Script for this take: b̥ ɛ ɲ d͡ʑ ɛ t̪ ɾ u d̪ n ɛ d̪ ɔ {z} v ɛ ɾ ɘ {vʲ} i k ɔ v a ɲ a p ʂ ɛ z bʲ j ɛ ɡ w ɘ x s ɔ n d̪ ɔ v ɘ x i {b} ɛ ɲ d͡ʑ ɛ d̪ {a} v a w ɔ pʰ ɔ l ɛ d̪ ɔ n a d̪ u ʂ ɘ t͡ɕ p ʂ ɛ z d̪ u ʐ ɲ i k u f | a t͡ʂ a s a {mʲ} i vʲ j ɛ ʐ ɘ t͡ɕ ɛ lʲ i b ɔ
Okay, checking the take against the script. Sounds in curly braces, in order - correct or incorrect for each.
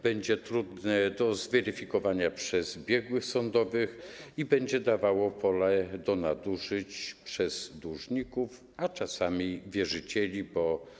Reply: correct, incorrect, correct, correct, correct

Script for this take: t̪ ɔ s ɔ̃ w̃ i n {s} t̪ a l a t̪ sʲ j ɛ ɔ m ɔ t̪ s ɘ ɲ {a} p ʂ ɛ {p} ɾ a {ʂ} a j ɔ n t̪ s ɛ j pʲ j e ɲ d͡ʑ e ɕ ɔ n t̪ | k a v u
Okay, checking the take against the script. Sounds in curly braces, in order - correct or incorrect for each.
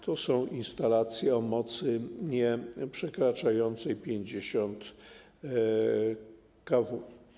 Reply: correct, incorrect, incorrect, incorrect

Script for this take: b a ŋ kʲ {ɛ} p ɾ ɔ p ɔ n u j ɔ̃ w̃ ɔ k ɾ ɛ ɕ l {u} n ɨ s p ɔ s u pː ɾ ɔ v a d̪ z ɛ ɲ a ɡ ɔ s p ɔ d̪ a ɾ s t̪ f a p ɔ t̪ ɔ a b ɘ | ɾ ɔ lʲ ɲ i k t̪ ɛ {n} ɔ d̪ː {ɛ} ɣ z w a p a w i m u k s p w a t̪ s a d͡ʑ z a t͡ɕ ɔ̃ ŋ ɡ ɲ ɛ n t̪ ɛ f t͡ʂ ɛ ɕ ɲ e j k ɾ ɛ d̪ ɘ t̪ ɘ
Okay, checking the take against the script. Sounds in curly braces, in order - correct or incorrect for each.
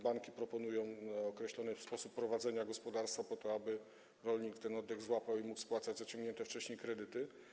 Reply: incorrect, incorrect, correct, correct

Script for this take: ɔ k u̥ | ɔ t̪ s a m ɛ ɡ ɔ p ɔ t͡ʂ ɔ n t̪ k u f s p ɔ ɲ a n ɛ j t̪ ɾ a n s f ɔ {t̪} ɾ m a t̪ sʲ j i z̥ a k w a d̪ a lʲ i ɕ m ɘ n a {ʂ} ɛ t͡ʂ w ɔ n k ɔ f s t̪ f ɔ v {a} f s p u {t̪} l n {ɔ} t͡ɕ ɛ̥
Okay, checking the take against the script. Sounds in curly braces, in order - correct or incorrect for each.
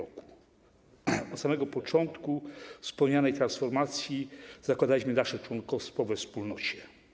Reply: incorrect, correct, incorrect, incorrect, correct

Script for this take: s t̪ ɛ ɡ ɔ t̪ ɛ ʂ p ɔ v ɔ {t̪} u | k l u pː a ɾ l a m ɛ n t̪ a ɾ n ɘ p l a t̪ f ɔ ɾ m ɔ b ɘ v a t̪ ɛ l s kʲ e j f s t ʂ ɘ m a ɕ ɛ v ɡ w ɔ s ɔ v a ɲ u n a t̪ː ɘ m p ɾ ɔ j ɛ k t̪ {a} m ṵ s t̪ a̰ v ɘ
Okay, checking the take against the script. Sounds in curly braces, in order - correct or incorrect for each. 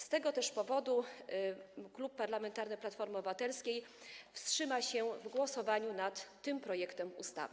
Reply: incorrect, incorrect

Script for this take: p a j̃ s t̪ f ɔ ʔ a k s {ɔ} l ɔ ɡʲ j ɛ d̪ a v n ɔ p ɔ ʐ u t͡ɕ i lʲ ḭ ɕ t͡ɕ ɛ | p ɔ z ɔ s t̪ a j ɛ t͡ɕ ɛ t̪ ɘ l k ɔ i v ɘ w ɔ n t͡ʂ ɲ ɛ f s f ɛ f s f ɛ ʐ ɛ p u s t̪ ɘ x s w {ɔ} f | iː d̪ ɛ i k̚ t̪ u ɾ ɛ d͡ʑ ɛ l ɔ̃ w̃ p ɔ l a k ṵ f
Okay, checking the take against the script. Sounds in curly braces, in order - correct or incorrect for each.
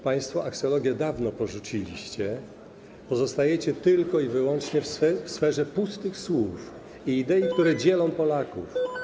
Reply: correct, incorrect

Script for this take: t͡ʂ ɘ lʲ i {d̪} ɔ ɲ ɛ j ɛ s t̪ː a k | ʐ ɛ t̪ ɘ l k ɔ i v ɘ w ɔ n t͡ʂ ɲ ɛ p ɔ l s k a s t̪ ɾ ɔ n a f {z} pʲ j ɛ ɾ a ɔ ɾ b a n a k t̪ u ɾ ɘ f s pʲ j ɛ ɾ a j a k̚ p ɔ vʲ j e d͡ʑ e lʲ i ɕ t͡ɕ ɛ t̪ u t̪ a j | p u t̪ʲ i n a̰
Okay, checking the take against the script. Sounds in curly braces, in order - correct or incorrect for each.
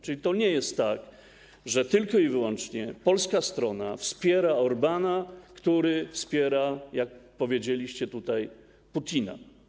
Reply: incorrect, incorrect

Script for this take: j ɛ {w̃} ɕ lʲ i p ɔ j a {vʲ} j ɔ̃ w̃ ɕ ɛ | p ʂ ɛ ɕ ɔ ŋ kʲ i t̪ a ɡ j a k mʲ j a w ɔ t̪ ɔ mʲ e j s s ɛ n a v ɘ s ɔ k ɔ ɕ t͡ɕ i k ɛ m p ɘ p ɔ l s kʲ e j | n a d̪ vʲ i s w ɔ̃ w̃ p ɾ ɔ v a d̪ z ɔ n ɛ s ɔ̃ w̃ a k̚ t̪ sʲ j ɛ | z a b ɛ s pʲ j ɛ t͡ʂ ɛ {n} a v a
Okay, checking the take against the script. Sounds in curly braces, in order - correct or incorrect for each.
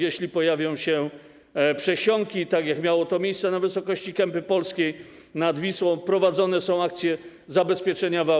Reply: incorrect, correct, incorrect

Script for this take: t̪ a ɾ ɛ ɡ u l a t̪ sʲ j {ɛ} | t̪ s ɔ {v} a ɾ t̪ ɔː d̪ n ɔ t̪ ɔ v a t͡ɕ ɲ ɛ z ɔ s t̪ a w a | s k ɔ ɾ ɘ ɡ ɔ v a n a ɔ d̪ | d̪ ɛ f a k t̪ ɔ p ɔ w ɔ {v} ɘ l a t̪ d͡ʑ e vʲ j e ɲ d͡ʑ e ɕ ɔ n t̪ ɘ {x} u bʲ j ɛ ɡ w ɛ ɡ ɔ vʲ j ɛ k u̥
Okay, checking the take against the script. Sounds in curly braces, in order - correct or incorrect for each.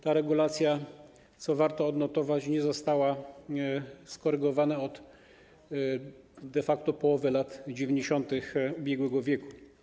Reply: incorrect, correct, correct, correct

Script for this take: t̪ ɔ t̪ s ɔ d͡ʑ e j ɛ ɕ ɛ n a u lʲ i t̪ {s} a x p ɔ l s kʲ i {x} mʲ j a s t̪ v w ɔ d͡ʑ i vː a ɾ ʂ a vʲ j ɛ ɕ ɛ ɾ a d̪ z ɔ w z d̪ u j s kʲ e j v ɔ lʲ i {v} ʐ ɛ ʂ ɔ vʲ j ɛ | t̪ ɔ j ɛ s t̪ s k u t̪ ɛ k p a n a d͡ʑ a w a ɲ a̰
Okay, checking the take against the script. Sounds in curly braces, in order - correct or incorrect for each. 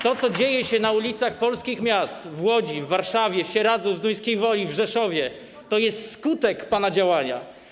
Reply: correct, correct, correct

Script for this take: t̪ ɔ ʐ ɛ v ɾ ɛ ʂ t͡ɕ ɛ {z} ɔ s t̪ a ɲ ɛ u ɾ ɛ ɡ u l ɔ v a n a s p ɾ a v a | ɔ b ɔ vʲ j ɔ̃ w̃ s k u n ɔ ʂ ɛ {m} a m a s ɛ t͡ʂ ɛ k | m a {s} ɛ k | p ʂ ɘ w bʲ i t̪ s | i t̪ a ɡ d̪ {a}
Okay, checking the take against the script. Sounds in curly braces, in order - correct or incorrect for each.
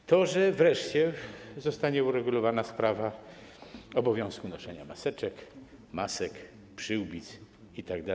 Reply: correct, incorrect, correct, correct

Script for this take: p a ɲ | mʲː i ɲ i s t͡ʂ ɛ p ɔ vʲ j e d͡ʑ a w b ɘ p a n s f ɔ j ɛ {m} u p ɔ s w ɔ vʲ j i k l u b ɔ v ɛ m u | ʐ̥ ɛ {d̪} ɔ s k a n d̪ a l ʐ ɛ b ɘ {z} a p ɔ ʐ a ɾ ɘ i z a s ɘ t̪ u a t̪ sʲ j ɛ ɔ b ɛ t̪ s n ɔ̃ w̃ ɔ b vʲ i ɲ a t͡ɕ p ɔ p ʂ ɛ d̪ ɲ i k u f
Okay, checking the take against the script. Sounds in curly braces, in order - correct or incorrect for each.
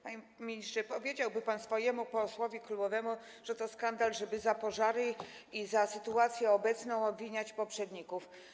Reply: correct, incorrect, correct

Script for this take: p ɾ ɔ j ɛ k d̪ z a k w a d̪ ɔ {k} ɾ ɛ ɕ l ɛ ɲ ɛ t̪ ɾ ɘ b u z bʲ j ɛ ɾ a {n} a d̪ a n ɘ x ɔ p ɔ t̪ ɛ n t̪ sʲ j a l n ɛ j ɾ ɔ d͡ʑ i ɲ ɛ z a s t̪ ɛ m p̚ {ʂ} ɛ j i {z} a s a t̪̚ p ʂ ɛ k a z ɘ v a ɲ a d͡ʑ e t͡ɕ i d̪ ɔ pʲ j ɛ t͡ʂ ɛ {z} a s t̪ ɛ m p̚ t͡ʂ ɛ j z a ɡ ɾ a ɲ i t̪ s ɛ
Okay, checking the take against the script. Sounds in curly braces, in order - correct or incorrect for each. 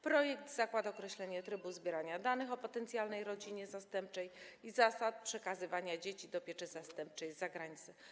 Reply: correct, incorrect, incorrect, correct, correct

